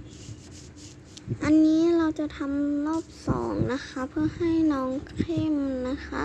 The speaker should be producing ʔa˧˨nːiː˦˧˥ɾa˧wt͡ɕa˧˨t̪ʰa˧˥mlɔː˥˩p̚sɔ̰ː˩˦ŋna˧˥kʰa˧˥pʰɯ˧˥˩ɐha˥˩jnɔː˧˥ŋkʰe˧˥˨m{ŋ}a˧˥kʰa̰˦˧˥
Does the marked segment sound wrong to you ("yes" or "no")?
yes